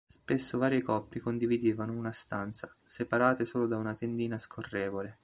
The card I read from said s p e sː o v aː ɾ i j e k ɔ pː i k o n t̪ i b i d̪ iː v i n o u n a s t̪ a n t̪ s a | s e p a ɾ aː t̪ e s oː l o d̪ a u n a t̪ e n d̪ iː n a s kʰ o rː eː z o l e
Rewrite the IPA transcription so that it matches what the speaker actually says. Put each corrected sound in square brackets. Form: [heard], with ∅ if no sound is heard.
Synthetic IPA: s p e sː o v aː ɾ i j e k ɔ pː i k o n [d̪] i [v] i d̪ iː v [a] n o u n a s t̪ a n t̪ s a | s e p a ɾ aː t̪ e s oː l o d̪ a u n a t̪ e n d̪ iː n a s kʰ o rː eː [v] o l e